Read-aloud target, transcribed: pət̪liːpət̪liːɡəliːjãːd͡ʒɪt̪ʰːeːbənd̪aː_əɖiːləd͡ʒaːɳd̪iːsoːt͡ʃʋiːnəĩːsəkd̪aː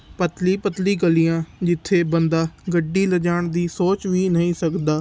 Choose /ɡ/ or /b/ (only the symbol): ɡ